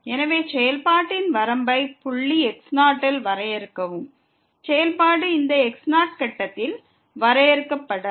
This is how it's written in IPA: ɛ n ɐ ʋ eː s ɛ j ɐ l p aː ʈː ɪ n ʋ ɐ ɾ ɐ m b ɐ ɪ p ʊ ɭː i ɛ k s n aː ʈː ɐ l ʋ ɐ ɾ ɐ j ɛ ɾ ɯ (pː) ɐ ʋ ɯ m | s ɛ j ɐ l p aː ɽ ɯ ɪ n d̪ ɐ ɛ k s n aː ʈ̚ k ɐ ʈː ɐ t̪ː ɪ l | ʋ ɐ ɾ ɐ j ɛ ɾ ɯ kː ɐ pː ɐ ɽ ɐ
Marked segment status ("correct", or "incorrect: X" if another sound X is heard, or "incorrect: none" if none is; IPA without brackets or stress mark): incorrect: kː